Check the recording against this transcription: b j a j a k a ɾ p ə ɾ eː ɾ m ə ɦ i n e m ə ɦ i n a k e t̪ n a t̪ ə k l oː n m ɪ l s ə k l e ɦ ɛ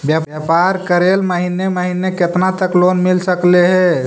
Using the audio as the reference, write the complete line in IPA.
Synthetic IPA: b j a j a p a ɾ k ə ɾ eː l m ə ɦ i n e m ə ɦ i n e k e t̪ n a t̪ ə k l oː n m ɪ l s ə k l e ɦ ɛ